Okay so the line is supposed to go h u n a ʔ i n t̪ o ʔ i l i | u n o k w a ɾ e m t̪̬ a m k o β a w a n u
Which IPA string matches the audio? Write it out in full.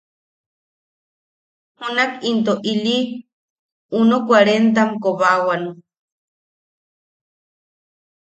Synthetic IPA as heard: h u n a k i n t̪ o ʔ i l i | u n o k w a ɾ e n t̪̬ a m k o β a w a n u